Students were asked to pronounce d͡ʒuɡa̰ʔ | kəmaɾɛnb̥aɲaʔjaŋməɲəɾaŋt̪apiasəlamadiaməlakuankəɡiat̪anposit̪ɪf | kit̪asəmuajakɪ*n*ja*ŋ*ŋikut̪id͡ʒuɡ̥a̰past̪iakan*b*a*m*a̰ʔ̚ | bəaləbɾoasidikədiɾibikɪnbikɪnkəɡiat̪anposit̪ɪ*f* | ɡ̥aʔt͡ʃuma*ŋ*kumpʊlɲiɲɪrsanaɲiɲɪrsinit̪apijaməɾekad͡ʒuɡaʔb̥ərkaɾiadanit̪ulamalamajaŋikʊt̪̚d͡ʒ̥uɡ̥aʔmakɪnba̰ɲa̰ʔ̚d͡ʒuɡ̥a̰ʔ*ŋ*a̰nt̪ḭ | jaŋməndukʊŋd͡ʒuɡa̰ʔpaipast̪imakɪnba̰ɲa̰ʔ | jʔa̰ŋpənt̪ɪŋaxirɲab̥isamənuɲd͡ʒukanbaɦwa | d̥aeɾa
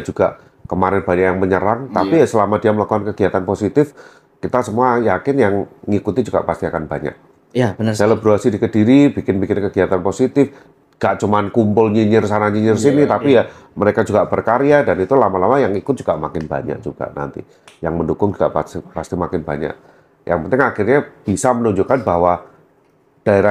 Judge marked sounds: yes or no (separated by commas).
yes, yes, yes, no, yes, no, no